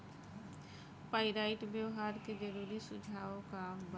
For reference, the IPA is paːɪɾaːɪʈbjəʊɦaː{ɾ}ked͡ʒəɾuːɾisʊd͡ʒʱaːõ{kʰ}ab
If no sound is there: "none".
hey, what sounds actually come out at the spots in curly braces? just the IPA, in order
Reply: ɾ, k

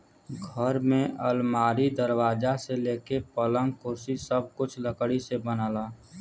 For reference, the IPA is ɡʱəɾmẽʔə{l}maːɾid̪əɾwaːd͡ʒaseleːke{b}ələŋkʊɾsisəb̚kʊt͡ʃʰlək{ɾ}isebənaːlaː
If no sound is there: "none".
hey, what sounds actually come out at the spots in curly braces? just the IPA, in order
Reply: l, p, ɽ

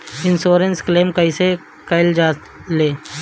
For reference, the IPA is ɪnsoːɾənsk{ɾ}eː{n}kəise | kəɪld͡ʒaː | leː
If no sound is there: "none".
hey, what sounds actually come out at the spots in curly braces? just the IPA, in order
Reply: l, m

